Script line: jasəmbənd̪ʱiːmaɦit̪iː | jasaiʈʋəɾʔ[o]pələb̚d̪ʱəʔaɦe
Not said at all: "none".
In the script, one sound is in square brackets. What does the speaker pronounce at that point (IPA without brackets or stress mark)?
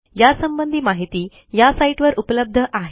u